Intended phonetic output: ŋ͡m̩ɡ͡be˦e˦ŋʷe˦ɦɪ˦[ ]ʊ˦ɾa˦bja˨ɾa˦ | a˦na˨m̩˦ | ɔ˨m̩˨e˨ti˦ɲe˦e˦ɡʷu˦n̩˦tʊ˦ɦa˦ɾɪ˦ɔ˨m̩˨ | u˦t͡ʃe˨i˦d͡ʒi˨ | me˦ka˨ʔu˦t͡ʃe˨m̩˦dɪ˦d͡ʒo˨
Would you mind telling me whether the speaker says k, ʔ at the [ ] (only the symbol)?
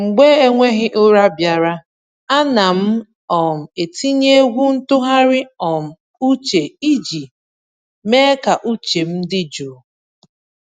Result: ʔ